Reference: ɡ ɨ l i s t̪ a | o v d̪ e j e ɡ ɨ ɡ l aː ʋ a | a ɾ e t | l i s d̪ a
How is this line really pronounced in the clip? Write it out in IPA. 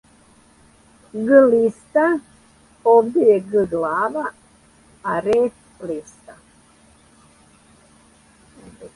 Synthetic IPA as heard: ɡ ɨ l i s t̪ a | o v d̪ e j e ɡ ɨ ɡ l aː ʋ a | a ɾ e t | l i s t̪ a